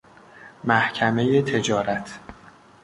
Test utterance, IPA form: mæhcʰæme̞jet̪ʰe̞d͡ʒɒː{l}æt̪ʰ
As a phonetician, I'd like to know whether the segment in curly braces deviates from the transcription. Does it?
yes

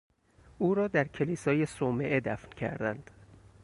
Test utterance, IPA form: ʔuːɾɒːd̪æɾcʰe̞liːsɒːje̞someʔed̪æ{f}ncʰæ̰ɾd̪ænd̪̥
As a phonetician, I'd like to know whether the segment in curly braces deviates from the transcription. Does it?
no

